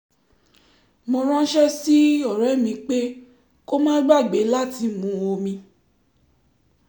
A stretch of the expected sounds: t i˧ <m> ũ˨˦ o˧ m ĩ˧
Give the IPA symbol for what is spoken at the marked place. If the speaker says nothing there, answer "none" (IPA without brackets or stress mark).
m